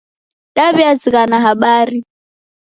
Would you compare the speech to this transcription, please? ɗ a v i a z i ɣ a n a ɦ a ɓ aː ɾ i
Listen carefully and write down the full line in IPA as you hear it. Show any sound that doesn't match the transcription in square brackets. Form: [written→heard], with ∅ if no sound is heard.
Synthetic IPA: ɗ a [v→β] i a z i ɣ a n a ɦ a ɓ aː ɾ i